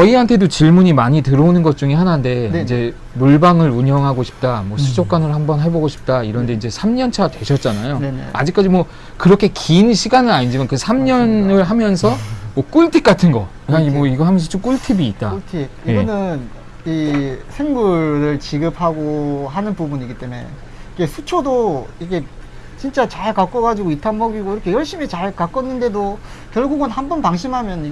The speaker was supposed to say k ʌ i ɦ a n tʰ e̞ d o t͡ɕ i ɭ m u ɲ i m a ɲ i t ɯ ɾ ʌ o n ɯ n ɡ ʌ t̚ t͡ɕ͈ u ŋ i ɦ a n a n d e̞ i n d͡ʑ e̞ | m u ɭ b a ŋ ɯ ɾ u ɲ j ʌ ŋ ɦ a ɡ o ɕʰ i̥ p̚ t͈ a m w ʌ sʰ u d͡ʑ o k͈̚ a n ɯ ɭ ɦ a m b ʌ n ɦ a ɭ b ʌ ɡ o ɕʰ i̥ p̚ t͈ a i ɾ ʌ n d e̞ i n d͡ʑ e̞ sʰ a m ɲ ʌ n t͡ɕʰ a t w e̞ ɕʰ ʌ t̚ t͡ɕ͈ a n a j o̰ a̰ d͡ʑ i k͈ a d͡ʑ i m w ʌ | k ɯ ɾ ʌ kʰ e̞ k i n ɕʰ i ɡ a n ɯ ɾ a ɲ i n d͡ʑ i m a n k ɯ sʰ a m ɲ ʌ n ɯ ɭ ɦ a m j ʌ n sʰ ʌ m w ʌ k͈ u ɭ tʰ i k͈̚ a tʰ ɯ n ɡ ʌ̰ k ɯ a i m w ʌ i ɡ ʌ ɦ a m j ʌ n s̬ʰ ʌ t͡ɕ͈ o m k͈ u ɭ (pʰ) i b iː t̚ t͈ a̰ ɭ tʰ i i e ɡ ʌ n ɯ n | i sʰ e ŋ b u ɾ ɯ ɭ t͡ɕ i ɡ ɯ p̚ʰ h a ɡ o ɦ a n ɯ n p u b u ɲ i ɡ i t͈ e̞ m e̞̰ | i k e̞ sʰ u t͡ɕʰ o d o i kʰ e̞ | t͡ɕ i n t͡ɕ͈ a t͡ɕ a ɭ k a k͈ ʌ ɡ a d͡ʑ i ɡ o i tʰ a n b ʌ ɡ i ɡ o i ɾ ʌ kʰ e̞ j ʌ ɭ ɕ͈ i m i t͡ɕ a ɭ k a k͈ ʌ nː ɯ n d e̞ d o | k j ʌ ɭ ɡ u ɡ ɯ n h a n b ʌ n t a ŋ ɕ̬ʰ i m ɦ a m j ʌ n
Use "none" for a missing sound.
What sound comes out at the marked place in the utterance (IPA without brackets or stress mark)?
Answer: tʰ